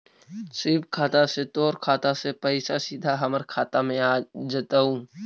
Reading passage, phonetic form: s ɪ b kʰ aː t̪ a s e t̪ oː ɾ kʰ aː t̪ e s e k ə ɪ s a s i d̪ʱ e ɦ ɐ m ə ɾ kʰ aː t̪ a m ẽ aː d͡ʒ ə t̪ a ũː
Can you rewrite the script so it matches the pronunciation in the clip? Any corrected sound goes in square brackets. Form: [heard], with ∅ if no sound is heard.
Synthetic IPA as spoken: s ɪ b kʰ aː t̪ a s e t̪ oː ɾ kʰ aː t̪ [a] s e [p] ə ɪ s a s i d̪ʱ [a] ɦ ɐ m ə ɾ kʰ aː t̪ a m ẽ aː d͡ʒ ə t̪ a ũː